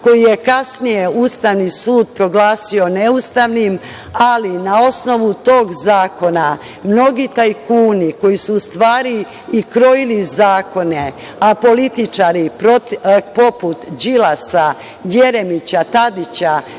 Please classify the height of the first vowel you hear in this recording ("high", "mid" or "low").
mid